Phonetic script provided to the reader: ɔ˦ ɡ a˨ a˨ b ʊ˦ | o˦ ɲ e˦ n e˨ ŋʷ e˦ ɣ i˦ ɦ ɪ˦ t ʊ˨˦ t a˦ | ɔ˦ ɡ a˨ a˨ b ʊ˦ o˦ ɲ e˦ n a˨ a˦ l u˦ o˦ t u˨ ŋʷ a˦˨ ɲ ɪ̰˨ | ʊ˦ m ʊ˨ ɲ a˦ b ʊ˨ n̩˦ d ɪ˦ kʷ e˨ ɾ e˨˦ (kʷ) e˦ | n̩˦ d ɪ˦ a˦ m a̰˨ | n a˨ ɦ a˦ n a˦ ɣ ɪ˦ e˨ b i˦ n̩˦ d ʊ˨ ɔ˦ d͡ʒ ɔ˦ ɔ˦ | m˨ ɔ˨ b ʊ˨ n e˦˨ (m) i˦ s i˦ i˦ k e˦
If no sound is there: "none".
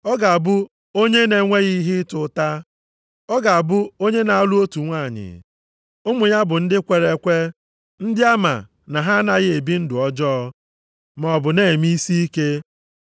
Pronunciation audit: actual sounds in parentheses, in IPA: kʷ, m

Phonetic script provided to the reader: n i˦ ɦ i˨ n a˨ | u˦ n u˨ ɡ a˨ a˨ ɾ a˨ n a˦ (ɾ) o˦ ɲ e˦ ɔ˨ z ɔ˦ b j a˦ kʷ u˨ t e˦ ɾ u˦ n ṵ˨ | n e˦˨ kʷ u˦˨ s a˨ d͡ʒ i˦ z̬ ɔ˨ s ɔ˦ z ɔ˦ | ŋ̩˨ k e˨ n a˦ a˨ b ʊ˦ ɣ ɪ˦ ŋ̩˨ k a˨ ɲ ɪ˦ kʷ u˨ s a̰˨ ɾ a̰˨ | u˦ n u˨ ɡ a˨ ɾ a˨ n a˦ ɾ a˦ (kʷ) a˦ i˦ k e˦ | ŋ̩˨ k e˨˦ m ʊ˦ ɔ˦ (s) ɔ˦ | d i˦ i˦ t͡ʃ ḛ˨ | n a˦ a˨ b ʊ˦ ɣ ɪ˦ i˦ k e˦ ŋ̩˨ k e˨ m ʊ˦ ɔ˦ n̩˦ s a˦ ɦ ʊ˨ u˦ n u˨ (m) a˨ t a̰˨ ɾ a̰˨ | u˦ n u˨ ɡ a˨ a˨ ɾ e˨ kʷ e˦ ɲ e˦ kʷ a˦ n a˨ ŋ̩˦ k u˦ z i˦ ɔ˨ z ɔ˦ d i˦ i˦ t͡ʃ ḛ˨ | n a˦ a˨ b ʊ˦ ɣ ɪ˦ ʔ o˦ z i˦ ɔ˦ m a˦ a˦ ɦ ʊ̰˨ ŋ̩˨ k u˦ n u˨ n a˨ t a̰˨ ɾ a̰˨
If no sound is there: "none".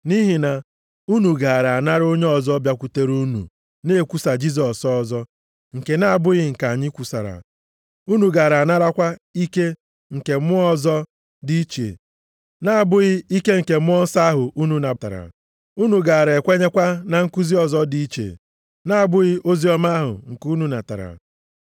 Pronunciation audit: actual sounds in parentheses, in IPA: ɾ, kʷ, z, n

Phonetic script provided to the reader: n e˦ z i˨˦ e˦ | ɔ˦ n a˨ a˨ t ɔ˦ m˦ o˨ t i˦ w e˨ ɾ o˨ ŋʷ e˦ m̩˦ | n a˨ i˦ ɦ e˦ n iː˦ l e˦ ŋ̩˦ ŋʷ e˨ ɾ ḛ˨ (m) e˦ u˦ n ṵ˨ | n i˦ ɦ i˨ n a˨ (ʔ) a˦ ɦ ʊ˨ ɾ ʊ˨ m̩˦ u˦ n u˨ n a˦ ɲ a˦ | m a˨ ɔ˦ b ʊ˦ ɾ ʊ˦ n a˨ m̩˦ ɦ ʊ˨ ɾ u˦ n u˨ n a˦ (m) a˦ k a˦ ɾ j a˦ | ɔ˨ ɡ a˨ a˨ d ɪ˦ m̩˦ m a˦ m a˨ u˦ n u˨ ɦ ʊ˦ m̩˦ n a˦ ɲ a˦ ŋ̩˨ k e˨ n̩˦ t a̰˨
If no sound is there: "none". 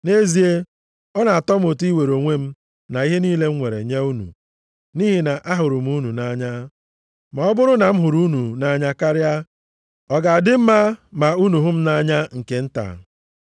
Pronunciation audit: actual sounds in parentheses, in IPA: ɲ, ʔ, ɲ

